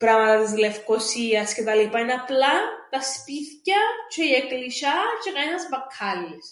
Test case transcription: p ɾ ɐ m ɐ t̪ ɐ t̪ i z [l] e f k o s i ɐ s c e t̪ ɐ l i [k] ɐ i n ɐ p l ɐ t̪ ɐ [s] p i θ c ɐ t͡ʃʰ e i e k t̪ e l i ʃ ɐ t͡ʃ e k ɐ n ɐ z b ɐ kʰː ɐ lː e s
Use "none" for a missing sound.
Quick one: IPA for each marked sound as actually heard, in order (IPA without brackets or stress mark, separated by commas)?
l, p, s